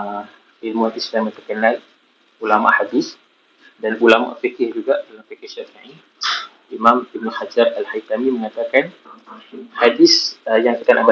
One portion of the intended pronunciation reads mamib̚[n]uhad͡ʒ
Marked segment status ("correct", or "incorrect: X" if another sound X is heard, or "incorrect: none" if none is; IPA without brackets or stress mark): correct